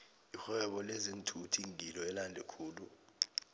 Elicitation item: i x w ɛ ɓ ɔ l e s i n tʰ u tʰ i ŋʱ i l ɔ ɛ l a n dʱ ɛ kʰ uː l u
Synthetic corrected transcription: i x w ɛ ɓ ɔ l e z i n tʰ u tʰ i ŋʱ i l ɔ ɛ l a n dʱ ɛ kʰ uː l u